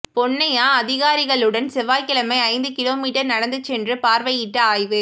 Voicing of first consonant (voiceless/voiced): voiceless